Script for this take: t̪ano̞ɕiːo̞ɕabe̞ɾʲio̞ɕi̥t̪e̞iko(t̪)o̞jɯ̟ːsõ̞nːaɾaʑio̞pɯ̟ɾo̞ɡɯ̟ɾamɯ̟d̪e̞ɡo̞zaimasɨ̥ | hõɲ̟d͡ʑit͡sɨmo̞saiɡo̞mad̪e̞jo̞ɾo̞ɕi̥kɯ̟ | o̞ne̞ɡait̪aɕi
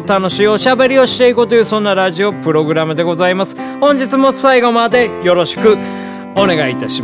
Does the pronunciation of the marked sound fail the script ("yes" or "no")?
no